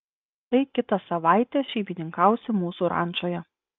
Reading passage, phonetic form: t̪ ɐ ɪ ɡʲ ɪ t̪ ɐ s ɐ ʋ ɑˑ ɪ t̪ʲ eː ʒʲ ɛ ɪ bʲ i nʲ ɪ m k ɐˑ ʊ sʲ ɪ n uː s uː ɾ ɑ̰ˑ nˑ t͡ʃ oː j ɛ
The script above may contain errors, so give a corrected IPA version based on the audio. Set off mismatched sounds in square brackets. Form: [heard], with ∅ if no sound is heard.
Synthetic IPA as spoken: t̪ ɐ ɪ [kʲ] ɪ t̪ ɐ s ɐ ʋ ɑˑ ɪ t̪ʲ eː [ʃʲ] ɛ ɪ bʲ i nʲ ɪ [ŋ] k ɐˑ ʊ sʲ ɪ [m] uː s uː ɾ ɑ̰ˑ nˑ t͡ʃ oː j ɛ